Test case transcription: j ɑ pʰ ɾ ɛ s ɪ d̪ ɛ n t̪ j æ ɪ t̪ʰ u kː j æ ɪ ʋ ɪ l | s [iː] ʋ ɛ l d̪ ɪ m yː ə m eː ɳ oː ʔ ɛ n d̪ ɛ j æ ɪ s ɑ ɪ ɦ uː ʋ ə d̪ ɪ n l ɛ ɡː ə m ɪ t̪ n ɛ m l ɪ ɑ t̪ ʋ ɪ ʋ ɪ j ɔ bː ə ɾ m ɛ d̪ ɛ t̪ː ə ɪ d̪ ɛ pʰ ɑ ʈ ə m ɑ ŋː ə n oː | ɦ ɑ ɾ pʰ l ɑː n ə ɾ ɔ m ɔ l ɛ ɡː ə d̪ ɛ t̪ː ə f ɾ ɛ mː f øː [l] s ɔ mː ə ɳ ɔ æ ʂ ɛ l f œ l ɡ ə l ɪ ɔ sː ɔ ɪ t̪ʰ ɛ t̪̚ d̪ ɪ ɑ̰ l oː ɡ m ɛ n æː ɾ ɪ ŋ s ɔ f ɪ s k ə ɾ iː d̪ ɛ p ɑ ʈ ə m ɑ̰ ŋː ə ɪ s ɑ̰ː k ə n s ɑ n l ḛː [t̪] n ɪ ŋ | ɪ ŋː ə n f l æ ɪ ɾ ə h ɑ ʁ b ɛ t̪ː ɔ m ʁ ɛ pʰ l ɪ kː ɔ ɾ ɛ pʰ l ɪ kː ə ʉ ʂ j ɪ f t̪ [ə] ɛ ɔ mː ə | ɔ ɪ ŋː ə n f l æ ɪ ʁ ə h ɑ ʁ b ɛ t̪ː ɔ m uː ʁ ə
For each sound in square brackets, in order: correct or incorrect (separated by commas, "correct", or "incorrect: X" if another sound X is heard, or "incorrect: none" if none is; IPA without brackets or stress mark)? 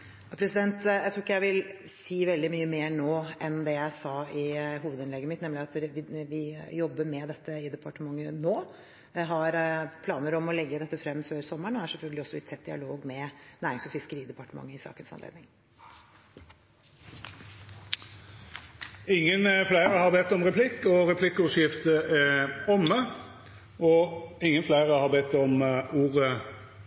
correct, incorrect: ɾ, incorrect: d̪, correct